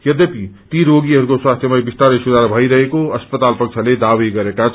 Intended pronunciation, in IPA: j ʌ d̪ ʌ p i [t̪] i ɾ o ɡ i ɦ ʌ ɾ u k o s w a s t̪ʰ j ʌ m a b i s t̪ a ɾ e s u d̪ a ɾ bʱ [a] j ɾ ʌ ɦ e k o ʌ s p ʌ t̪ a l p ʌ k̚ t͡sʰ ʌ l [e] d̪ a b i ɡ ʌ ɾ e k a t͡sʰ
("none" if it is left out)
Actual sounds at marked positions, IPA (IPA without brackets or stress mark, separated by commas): t̪, ʌ, e